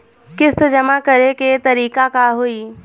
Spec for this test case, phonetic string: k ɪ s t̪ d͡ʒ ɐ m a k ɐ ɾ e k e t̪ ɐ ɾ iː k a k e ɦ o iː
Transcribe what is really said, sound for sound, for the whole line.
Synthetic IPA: k ɪ s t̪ d͡ʒ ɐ m a k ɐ ɾ e k e t̪ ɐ ɾ iː k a k a ɦ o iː